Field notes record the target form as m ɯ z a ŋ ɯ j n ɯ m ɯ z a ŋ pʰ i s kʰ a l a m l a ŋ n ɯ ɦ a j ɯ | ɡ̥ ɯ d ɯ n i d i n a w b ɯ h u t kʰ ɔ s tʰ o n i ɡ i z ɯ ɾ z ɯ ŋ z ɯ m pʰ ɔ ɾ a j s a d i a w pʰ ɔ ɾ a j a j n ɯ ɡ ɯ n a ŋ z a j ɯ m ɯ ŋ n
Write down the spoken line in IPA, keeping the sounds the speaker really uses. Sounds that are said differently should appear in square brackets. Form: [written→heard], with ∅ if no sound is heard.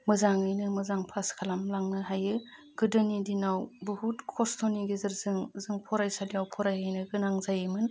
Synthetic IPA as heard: m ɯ z a ŋ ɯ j n ɯ m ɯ z a ŋ pʰ [i→a] s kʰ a l a m l a ŋ n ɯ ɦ a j ɯ | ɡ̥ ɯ d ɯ n i d i n a w b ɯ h u t kʰ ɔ s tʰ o n i ɡ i z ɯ ɾ z ɯ ŋ z ɯ [m→ŋ] pʰ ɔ ɾ a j s a d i a w pʰ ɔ ɾ a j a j n ɯ ɡ ɯ n a ŋ z a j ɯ m ɯ [ŋ→∅] n